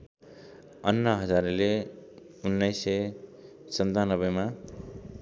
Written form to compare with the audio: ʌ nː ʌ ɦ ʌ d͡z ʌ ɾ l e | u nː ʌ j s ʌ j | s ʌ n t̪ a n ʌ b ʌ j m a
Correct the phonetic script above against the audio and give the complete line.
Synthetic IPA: ʌ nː ʌ ɦ ʌ d͡z a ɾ l e | u nː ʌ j s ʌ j | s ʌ n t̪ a n ʌ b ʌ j m a

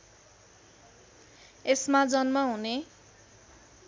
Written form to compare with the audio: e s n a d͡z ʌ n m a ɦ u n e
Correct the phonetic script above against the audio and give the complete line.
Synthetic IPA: e s m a d͡z ʌ n m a ɦ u n e

